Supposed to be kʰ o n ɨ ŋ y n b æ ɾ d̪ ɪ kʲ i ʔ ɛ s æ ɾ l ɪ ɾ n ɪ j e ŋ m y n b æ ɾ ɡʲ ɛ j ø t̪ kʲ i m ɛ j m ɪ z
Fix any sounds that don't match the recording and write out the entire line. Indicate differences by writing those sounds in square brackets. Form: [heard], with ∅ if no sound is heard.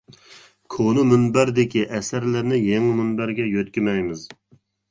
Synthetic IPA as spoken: kʰ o n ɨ [m] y n b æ ɾ d̪ ɪ kʲ i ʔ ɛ s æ ɾ l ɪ ɾ n ɪ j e ŋ m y n b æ ɾ ɡʲ ɛ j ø t̪ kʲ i m ɛ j m ɪ z